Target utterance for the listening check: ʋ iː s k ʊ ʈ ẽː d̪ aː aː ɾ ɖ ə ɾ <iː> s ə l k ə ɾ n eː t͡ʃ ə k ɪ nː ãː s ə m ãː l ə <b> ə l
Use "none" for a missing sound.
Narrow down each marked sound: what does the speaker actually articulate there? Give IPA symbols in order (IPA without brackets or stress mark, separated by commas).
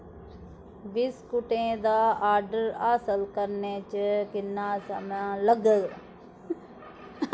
aː, ɡ